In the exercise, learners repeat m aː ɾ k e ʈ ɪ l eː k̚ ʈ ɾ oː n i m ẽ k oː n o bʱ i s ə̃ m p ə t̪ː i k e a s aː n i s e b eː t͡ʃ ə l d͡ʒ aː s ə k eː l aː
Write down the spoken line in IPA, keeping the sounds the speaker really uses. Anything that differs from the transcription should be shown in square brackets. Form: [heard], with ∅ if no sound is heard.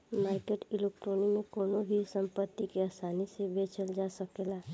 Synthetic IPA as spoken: m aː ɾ k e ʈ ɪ l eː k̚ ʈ ɾ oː n i m ẽ k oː n o bʱ i s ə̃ m p ə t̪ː i k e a s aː n i s e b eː t͡ʃ ə l d͡ʒ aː s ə k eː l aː